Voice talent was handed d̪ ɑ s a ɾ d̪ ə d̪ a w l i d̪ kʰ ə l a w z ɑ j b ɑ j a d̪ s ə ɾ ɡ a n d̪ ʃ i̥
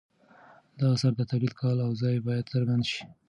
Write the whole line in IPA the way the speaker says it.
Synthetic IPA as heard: d̪ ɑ s a ɾ d̪ ə t̪ a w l i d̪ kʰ ɑ l a w z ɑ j b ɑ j a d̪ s ə ɾ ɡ a n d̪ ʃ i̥